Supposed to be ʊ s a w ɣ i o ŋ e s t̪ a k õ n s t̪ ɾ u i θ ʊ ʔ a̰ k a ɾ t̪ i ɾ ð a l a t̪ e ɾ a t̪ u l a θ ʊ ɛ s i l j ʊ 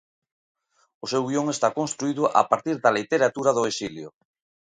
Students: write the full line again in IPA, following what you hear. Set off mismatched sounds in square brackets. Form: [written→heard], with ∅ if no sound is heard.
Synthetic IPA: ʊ s [a→e] w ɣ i o ŋ e s t̪ a k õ n s t̪ ɾ u i [θ→ð] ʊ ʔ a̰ [k→p] a ɾ t̪ i ɾ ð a l [a→i] t̪ e ɾ a t̪ u [l→ɾ] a [θ→ð] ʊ [ɛ→e] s i l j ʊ